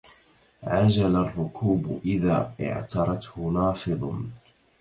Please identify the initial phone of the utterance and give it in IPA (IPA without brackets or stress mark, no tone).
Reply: ʕ